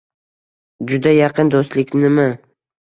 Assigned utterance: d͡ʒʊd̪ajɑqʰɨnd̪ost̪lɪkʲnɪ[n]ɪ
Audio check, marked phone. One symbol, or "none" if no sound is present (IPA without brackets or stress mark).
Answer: m